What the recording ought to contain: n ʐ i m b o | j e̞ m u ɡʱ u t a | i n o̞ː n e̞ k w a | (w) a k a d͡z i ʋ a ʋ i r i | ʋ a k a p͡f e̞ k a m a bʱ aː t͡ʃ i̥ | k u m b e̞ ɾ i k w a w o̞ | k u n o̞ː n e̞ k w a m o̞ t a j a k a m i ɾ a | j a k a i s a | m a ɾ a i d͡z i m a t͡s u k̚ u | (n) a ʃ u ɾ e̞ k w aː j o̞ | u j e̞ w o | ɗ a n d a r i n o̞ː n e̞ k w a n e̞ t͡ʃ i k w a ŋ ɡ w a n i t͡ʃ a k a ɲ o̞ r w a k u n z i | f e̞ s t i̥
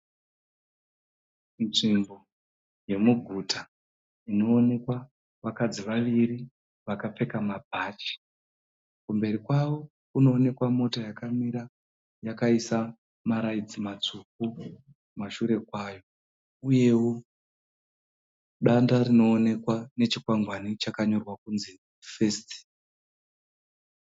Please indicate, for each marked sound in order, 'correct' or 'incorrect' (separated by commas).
incorrect, incorrect